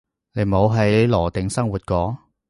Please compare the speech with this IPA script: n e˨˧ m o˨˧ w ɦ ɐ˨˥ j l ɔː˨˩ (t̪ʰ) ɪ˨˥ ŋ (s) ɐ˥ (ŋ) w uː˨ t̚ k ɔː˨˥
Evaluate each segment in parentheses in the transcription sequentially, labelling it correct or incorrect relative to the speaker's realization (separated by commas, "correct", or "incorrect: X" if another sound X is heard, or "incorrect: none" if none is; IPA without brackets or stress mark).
incorrect: t̪, correct, correct